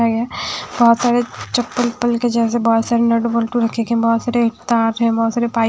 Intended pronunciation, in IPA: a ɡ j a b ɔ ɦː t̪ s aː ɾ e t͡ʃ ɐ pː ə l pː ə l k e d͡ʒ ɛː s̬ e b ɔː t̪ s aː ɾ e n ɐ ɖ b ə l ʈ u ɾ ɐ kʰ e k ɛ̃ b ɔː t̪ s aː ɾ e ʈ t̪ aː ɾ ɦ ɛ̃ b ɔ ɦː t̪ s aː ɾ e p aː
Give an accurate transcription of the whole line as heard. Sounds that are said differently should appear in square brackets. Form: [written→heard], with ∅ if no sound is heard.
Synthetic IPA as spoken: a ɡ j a b ɔ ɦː t̪ s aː ɾ e t͡ʃ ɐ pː ə l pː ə l k e d͡ʒ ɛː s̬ e b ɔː t̪ s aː ɾ e n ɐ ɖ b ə l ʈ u ɾ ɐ kʰ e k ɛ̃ b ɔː t̪ s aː ɾ e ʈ t̪ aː ɾ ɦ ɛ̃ b ɔ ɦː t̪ s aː ɾ e p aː